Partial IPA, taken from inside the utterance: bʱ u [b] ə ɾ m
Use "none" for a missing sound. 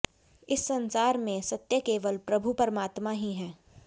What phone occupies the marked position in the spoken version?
p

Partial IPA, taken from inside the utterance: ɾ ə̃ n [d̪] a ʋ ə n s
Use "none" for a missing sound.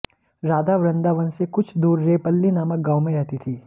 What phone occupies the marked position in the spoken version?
d̪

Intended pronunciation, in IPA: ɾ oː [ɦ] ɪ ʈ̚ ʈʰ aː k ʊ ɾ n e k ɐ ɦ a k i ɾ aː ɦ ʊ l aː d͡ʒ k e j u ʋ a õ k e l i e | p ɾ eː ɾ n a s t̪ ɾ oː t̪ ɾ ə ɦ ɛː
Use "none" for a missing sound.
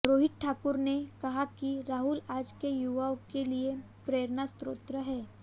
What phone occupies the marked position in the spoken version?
ɦ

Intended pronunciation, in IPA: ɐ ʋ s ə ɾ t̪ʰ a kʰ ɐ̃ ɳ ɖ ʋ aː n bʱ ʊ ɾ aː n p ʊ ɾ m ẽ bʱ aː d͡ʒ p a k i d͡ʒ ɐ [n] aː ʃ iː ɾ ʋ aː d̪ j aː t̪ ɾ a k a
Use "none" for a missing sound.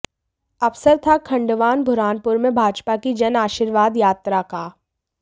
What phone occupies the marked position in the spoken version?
n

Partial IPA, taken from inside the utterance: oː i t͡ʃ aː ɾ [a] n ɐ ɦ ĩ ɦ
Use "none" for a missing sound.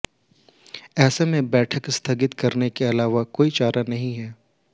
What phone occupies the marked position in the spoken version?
a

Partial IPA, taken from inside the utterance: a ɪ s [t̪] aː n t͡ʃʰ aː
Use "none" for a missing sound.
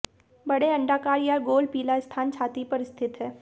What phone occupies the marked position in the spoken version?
t̪ʰ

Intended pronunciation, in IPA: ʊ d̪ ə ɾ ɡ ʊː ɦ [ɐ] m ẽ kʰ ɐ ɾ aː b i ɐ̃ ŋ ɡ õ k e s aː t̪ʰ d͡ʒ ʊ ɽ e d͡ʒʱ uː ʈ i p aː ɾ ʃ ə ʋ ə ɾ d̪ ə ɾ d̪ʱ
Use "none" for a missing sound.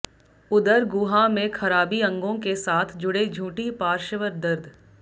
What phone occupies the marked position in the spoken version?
a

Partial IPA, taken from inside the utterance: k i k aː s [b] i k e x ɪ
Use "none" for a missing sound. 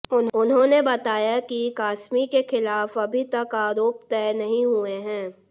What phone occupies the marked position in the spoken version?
m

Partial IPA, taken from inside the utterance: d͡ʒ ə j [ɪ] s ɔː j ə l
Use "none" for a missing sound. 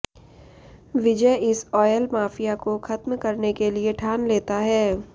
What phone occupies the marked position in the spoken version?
ɪ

